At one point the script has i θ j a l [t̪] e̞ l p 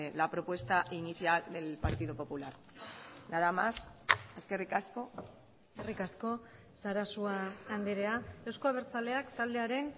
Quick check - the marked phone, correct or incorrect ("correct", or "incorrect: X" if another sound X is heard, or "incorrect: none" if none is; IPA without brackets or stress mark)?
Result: incorrect: d̪